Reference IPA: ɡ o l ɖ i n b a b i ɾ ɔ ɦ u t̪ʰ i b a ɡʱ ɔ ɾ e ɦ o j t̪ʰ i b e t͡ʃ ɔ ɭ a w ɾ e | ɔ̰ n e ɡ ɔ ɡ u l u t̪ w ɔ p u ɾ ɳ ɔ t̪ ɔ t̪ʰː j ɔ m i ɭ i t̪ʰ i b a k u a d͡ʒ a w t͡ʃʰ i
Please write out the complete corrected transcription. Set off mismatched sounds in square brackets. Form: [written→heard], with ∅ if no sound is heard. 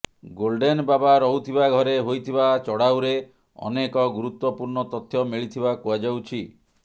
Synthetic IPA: ɡ o l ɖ [i→e] n b a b [i→a] ɾ ɔ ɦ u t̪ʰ i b a ɡʱ ɔ ɾ e ɦ o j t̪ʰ i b [e→a] t͡ʃ ɔ [ɭ→ɽ] a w ɾ e | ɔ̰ n e [ɡ→k] ɔ ɡ u [l→ɾ] u t̪ w ɔ p u ɾ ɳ ɔ t̪ ɔ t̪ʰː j ɔ m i ɭ i t̪ʰ i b a k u a d͡ʒ a w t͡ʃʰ i